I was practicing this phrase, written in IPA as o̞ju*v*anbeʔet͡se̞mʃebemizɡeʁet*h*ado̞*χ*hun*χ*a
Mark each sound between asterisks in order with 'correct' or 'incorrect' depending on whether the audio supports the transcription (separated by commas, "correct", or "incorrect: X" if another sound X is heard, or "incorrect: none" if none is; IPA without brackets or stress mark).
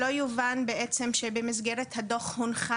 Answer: correct, correct, correct, correct